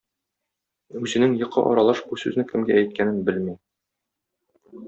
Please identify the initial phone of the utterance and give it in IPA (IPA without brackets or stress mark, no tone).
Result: ʉ